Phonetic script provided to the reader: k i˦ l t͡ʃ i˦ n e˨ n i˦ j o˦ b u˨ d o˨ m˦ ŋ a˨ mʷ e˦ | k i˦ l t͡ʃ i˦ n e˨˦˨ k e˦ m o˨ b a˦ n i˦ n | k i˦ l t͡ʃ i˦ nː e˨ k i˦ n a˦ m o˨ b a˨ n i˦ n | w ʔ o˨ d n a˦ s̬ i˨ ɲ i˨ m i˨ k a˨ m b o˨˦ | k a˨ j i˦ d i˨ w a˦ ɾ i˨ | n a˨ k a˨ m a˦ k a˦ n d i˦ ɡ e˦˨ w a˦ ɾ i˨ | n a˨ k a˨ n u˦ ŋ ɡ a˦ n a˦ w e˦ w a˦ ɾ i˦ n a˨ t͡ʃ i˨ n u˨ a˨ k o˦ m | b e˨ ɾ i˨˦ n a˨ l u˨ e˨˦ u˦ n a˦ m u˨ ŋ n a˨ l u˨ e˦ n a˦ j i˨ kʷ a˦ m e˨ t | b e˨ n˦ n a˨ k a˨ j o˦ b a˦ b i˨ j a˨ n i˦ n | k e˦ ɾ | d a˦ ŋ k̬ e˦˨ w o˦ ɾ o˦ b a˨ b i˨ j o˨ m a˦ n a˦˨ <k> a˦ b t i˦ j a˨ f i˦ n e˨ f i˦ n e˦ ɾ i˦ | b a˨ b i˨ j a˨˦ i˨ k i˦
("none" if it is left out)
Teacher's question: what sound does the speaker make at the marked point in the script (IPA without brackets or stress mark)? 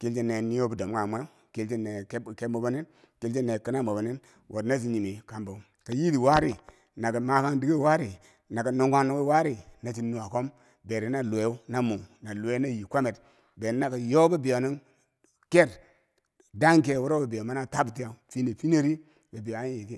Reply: t